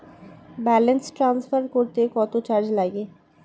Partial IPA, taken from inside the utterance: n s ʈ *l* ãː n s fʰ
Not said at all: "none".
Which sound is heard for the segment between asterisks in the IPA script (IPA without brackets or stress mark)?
ɾ